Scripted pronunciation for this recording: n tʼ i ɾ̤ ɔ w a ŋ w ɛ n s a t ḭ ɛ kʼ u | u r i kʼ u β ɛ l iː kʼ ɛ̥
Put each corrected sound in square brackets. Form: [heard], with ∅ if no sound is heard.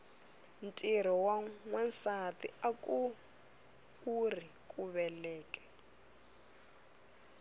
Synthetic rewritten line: n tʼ i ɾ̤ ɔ w a ŋ w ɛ n s a t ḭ [a] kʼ u | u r i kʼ u β ɛ l [ɛː] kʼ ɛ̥